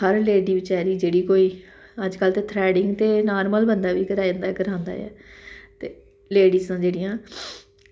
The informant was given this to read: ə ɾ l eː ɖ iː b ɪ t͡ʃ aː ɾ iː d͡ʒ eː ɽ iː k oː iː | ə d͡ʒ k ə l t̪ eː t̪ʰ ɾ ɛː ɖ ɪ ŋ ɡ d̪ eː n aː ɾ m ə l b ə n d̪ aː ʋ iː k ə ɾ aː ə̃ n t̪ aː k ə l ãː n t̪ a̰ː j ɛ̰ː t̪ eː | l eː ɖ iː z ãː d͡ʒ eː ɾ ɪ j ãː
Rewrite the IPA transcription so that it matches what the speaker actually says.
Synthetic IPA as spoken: ə ɾ l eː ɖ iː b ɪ t͡ʃ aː ɾ iː d͡ʒ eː ɽ iː k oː iː | ə d͡ʒ k ə l t̪ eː t̪ʰ ɾ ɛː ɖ ɪ ŋ ɡ t̪ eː n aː ɾ m ə l b ə n d̪ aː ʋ iː k ə ɾ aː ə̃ n d̪ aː k ə ɾ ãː n d̪ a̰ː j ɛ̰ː t̪ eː | l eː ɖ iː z ãː d͡ʒ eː ɽ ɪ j ãː

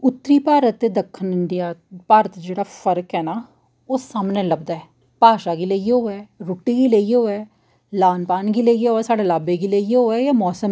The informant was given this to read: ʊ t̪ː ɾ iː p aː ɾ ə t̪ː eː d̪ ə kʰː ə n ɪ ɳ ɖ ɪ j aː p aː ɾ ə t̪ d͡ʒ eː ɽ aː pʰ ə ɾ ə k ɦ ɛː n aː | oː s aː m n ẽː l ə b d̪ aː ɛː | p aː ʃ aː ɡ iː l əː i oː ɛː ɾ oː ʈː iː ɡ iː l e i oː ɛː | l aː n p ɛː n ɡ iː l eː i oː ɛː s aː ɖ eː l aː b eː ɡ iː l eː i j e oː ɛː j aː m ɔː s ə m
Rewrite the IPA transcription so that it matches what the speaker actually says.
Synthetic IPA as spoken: ʊ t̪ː ɾ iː p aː ɾ ə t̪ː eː d̪ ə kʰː ə n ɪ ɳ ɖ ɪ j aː p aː ɾ ə t̪ d͡ʒ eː ɽ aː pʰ ə ɾ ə k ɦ ɛː n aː | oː s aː m n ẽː l ə b d̪ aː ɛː | p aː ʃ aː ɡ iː l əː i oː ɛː ɾ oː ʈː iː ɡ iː l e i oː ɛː | l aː n p aː n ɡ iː l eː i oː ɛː s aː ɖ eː l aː b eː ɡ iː l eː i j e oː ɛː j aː m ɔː s ə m

